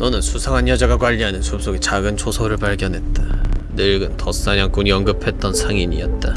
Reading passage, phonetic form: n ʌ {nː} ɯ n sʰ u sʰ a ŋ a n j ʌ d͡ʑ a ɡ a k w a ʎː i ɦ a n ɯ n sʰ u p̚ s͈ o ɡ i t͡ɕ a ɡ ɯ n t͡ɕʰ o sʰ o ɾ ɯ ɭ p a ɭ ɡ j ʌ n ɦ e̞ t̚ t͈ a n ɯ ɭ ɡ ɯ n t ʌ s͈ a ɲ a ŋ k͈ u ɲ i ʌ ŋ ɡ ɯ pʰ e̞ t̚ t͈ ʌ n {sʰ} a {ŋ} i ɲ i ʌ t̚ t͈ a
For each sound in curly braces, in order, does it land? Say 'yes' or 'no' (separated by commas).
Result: no, yes, yes